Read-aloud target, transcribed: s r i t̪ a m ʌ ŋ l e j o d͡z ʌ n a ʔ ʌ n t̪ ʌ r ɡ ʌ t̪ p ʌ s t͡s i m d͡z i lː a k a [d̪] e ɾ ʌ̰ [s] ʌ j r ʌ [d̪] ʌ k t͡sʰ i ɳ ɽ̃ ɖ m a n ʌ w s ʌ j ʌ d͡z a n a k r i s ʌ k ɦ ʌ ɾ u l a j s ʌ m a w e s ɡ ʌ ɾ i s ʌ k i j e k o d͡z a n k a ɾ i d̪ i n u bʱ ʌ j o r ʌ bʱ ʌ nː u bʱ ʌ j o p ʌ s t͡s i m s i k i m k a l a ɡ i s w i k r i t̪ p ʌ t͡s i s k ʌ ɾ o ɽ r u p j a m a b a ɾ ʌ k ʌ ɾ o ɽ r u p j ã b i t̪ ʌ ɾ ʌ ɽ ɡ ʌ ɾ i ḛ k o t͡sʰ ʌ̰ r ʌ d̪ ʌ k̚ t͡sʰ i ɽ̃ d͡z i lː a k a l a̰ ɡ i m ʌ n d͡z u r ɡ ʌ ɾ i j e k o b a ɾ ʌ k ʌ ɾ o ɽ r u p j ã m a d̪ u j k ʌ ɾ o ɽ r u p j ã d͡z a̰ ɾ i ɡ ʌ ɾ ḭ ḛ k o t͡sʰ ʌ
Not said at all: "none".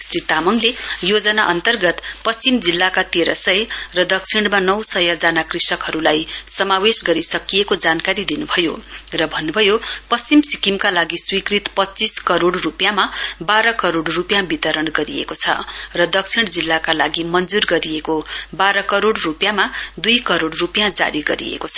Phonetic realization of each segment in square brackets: t̪, s, d̪

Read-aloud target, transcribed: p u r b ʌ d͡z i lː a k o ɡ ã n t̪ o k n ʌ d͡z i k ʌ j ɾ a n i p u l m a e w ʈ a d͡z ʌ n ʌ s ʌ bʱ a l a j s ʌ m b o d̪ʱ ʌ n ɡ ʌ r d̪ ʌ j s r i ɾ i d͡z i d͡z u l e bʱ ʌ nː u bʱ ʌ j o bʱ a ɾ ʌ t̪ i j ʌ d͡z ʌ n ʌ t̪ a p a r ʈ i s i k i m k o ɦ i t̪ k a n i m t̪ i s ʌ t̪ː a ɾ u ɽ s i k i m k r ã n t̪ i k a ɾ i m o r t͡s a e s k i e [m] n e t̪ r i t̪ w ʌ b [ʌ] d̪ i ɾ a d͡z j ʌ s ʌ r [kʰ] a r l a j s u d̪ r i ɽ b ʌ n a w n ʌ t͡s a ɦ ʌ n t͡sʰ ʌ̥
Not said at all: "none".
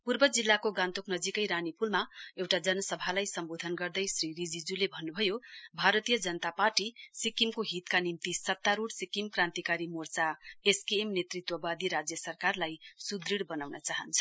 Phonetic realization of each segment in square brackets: m, a, k

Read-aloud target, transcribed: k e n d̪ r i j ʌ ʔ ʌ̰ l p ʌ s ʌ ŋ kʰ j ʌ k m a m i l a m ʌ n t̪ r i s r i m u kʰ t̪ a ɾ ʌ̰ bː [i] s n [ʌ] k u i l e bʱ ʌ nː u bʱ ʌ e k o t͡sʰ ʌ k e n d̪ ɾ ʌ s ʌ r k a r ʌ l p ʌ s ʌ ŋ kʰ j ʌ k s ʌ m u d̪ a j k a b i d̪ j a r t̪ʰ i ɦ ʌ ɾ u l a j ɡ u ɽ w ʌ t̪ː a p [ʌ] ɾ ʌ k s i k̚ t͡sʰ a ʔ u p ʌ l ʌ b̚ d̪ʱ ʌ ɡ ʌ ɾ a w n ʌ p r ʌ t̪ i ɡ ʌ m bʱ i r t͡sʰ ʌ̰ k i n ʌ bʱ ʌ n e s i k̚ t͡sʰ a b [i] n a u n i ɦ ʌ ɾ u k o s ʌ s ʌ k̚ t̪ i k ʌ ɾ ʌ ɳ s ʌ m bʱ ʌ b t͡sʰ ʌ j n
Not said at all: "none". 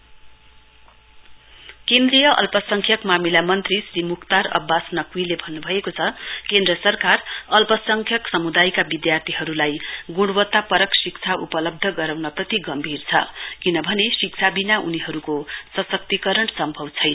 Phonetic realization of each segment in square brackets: a, ʌ, ʌ, i

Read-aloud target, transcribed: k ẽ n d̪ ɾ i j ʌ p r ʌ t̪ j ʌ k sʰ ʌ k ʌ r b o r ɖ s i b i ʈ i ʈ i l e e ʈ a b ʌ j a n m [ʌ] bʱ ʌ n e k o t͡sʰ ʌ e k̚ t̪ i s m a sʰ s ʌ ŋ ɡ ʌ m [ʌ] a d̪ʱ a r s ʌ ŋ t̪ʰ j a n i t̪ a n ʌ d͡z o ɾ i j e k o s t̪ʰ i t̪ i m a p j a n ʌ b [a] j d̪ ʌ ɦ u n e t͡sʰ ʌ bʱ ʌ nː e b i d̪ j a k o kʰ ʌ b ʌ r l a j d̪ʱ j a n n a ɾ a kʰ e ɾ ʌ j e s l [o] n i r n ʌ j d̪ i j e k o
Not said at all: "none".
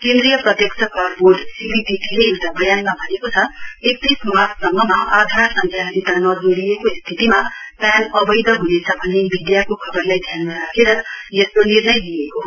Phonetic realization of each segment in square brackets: a, a, ʌ, o

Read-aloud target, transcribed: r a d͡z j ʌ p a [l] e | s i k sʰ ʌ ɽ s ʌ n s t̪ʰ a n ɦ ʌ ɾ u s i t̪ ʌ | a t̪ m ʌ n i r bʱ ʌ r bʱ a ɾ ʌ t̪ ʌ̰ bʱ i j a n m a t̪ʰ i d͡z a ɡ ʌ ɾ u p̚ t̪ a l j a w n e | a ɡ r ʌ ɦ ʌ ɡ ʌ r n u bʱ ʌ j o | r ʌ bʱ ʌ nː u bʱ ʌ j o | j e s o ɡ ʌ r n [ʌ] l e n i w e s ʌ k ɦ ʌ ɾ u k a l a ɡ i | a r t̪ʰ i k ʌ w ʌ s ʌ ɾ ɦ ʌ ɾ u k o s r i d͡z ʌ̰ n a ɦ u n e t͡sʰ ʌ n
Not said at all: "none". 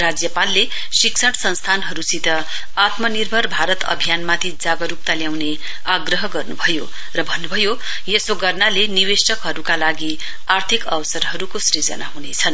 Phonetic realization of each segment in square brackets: lː, a

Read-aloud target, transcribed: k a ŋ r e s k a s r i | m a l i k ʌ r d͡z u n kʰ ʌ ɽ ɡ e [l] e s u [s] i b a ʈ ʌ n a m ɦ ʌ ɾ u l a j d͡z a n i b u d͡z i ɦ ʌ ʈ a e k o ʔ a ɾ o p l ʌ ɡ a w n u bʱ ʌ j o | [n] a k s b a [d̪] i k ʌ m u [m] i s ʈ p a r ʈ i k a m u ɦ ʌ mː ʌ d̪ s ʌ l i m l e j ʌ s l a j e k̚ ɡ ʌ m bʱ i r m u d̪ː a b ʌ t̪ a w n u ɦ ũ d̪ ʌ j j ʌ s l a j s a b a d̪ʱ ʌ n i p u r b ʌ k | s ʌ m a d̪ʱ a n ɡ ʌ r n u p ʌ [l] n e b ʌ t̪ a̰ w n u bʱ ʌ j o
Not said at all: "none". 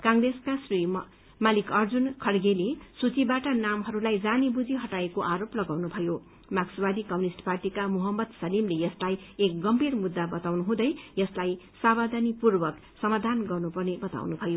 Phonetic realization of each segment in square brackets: l, t͡s, m, d̪, n, r

